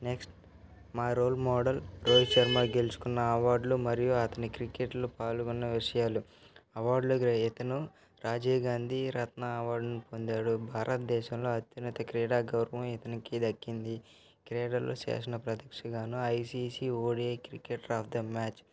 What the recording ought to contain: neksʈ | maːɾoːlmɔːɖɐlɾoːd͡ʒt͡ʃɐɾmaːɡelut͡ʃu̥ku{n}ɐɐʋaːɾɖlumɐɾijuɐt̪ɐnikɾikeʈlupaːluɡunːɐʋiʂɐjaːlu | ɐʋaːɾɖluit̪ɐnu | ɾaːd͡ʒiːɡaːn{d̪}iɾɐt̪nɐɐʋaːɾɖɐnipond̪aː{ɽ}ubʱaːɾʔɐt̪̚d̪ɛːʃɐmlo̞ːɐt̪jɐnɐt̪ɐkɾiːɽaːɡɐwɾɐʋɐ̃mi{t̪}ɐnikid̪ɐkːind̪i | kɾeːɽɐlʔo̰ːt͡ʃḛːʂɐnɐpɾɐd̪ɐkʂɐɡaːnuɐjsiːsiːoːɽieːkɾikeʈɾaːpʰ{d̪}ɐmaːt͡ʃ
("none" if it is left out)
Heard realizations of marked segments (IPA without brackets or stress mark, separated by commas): nː, d̪, ɽ, t̪, d̪